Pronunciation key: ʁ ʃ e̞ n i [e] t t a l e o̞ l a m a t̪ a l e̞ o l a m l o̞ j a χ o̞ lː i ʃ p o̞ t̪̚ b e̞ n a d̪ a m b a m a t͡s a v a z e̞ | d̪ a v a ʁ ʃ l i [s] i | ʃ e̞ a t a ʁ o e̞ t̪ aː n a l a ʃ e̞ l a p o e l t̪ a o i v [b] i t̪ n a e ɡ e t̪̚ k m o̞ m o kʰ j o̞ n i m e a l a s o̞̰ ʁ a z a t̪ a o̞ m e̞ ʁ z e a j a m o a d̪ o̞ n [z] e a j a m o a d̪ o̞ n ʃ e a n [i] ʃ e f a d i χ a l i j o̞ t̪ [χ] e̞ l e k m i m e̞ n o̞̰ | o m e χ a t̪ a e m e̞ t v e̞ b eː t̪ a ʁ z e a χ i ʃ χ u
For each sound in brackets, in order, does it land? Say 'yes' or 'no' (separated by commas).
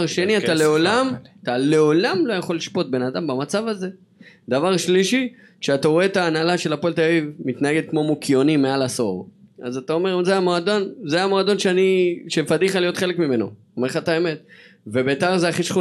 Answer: no, no, no, yes, yes, yes